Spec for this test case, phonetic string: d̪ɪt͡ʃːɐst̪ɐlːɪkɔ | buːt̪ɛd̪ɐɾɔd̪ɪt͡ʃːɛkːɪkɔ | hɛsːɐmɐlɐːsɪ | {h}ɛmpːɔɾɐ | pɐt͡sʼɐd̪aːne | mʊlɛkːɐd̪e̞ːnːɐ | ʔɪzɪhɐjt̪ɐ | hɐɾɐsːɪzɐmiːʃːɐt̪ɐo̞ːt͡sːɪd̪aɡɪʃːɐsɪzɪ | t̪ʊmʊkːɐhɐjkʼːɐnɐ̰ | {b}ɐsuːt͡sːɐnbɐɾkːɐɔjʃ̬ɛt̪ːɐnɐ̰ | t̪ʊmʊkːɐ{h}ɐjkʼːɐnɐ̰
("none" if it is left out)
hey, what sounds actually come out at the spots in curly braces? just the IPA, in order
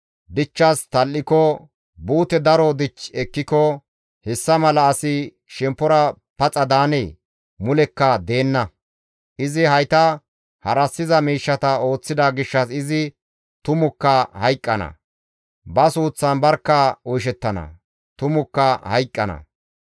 ʃ, b, h

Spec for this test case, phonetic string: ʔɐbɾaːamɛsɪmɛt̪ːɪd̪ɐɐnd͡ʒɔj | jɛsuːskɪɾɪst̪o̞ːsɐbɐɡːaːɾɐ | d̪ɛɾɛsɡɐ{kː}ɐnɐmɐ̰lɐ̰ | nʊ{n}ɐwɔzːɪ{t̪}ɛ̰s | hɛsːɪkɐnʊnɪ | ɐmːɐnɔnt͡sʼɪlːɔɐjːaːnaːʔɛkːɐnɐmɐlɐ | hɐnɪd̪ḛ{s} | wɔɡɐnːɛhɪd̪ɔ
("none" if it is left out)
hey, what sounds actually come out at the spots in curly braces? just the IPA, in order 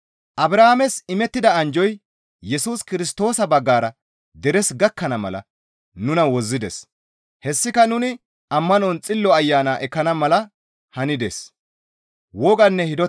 kː, n, d̪, s

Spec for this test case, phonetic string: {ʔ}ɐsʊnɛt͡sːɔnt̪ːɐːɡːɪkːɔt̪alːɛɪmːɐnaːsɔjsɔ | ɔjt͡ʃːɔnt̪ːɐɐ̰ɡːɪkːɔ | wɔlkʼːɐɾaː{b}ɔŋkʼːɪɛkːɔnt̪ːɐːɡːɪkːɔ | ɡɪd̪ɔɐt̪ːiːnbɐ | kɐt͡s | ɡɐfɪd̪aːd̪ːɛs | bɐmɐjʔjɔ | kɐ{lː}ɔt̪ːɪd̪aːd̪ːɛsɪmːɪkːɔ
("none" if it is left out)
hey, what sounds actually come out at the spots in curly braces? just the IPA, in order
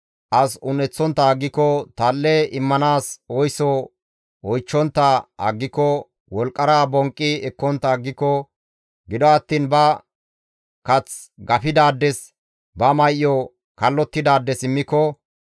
ʔ, b, lː

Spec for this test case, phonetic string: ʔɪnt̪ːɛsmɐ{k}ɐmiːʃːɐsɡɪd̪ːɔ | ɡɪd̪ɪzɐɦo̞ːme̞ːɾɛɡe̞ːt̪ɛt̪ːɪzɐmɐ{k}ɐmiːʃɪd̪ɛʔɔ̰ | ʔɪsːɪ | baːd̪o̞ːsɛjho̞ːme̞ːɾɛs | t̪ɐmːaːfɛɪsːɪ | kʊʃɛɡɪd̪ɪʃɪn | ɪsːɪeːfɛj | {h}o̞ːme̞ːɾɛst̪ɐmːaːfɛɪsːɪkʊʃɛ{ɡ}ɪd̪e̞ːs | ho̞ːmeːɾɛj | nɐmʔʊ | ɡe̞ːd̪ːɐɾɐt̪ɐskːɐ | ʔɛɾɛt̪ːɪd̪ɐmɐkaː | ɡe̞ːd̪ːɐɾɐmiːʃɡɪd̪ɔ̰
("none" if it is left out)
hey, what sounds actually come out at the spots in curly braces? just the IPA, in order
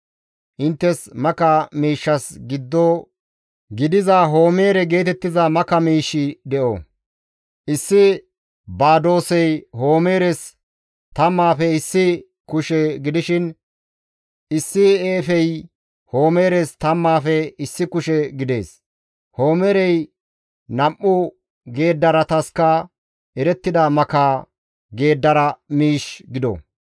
k, k, h, ɡ

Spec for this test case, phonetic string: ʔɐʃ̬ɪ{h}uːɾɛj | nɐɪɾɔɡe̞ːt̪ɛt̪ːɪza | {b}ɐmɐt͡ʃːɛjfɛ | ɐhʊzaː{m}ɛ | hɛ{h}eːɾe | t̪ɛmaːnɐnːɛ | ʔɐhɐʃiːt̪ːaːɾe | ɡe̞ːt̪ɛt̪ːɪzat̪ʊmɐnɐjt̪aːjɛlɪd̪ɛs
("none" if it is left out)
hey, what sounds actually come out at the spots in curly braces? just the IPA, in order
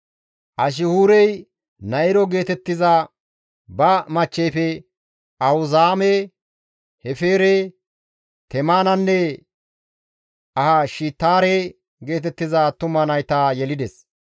h, b, m, f

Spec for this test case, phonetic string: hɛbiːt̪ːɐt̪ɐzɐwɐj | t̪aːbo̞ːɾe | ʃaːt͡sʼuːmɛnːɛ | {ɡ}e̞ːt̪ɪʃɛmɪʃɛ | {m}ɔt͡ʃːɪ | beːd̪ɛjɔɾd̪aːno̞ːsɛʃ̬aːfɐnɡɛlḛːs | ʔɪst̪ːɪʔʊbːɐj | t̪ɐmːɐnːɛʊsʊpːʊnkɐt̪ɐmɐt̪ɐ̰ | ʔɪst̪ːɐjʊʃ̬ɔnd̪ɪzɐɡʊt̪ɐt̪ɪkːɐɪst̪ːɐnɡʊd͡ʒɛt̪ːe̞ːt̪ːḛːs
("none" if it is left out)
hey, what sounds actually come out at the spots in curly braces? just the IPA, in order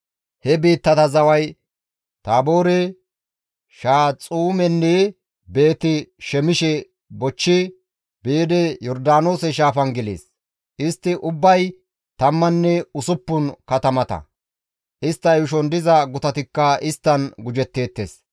b, b

